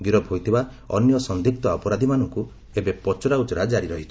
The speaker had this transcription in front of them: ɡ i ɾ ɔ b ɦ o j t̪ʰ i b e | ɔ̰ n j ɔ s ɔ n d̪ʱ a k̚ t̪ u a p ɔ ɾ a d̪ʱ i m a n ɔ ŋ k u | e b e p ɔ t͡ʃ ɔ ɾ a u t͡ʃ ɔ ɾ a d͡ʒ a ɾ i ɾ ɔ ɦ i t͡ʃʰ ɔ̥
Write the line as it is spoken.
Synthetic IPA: ɡ i ɾ ɔ b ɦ o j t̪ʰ i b a | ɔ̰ n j ɔ s ɔ n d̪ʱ i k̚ t̪ ɔ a p ɔ ɾ a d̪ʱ i m a n ɔ ŋ k u | e b e p ɔ t͡ʃ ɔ ɾ a u t͡ʃ ɔ ɾ a d͡ʒ a ɾ i ɾ ɔ ɦ i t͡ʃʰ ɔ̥